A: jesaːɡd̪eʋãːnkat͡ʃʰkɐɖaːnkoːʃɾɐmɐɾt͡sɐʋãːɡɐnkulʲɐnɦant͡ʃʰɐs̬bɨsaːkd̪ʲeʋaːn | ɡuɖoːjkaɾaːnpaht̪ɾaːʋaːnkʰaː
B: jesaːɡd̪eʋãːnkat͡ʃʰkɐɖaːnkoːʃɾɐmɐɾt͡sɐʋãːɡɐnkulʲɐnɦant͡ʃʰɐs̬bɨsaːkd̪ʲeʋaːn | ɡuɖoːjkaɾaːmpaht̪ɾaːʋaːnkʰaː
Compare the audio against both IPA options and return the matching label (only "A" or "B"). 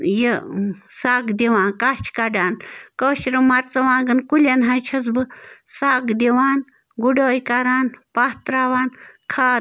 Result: A